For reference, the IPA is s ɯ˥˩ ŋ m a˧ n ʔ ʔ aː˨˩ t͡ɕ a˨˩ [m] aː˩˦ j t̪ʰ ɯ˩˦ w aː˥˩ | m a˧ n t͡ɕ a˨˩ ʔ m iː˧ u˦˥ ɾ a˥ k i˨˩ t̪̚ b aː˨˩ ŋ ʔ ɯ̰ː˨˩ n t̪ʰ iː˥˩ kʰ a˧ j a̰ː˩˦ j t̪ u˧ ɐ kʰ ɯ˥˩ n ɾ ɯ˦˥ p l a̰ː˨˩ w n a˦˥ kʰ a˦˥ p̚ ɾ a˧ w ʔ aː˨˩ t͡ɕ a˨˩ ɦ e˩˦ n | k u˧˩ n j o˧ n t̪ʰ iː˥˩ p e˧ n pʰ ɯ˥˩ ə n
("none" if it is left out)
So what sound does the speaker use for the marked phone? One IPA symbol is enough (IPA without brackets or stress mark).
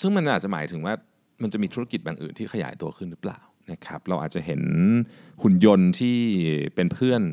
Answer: m